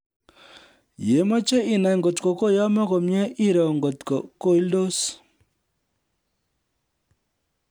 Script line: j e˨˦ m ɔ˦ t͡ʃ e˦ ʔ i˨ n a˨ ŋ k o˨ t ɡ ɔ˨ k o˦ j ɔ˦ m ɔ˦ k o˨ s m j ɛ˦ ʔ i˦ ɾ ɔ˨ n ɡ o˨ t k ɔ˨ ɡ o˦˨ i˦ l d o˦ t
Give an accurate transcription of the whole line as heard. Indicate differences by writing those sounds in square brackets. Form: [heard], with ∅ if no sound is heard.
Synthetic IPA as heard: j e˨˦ m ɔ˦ t͡ʃ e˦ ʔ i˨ n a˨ ŋ [ɡ] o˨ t [k] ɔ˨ k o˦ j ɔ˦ m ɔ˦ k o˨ [∅] m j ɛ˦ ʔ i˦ ɾ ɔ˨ [ŋ] ɡ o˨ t k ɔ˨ [k] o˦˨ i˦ l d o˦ [s]